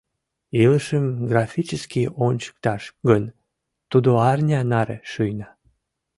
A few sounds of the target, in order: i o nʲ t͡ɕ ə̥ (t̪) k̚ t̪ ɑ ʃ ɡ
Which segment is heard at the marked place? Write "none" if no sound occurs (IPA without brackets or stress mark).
none